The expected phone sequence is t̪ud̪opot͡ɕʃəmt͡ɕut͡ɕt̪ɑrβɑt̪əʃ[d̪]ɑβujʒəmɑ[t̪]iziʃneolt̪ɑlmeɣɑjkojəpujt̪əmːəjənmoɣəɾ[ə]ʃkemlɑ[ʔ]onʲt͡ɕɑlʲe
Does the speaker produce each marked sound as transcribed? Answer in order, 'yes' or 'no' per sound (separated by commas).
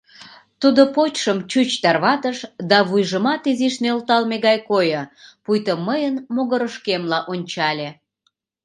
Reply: yes, yes, yes, yes